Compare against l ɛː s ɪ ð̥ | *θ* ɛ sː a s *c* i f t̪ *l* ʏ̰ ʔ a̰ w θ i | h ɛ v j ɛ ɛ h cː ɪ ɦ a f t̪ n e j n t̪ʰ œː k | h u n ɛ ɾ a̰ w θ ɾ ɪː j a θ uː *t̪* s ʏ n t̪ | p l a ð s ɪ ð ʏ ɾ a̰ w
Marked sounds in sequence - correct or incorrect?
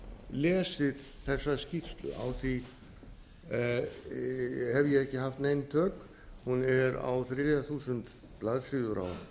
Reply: correct, correct, correct, incorrect: none

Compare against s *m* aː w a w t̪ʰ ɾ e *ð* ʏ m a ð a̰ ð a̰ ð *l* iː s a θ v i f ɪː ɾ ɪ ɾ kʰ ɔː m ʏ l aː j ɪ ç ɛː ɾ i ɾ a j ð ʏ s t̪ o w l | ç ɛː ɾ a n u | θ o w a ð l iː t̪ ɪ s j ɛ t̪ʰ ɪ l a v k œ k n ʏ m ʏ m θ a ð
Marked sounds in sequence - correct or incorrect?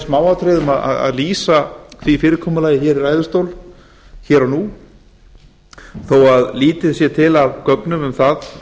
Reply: correct, correct, correct

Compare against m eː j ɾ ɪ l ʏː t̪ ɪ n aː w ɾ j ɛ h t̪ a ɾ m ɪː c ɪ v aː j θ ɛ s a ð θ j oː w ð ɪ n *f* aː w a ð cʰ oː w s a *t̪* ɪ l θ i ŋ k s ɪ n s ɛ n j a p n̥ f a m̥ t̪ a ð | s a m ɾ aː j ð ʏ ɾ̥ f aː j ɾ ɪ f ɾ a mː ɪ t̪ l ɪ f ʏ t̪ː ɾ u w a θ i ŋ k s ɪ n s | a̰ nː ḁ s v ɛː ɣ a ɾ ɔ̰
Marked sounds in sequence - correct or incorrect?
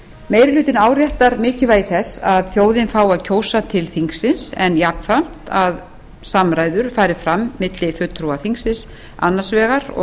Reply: correct, incorrect: t̪ʰ

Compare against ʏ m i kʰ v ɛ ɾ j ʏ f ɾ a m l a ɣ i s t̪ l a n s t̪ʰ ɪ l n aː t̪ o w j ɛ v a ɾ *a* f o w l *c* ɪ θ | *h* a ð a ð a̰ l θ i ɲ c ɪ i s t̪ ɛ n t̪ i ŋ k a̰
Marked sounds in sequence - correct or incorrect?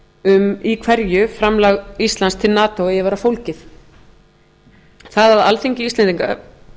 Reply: correct, correct, incorrect: θ

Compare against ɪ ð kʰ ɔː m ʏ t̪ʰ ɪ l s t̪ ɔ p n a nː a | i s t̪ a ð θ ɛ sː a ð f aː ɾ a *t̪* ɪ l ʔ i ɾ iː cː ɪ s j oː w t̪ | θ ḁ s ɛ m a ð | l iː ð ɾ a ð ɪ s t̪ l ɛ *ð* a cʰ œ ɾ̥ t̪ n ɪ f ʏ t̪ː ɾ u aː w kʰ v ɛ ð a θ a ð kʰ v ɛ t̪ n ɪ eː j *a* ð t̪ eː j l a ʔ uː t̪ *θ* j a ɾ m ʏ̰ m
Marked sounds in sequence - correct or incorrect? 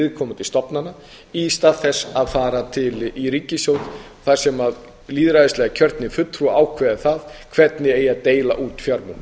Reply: incorrect: t̪ʰ, incorrect: ɣ, correct, incorrect: f

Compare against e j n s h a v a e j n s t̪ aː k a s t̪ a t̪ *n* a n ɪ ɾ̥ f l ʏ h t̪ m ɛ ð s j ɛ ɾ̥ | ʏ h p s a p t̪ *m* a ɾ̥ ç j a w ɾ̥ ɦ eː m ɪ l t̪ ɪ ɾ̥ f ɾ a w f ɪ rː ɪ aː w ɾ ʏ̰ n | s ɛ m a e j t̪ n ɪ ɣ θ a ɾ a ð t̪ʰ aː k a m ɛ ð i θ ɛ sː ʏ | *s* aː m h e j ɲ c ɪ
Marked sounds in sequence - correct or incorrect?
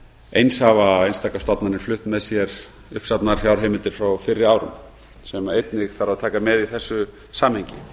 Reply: correct, incorrect: n, correct

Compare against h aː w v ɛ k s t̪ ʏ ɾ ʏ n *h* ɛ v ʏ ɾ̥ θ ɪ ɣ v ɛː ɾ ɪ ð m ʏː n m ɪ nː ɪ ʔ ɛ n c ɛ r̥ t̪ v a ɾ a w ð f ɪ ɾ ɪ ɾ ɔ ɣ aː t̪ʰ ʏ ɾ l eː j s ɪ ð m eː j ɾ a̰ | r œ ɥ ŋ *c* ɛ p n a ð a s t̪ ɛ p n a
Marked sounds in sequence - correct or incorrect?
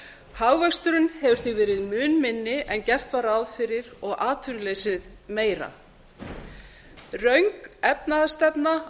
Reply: correct, incorrect: k

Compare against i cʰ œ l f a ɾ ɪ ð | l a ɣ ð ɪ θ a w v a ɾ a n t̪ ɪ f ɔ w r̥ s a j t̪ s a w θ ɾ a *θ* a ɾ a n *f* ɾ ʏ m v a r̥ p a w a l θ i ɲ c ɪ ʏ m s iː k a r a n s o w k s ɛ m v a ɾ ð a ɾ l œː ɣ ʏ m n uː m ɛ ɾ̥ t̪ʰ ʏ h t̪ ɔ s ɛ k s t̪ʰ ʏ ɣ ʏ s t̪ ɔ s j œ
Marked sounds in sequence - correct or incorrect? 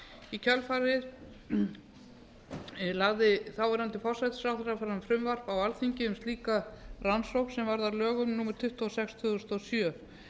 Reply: incorrect: f, correct

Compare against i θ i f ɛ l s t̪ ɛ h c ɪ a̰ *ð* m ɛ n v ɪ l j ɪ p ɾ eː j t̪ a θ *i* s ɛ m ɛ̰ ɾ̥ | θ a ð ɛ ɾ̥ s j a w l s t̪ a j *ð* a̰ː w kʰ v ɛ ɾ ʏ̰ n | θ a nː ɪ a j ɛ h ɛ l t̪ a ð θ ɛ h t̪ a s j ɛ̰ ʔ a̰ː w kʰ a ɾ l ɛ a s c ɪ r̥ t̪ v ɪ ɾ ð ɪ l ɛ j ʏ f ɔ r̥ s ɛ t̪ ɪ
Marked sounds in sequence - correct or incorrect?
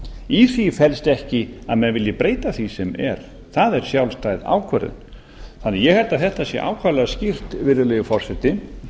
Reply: correct, correct, correct

